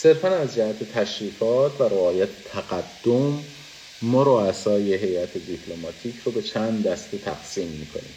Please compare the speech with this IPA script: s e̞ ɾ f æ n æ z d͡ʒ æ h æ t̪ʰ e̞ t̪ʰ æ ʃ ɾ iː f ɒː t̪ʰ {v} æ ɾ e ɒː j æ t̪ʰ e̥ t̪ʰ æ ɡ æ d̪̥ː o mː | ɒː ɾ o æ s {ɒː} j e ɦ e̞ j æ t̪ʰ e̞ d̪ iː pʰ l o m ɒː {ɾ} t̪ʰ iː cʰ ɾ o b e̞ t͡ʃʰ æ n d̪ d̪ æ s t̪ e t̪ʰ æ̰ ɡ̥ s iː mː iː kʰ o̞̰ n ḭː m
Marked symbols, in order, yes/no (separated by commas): yes, yes, no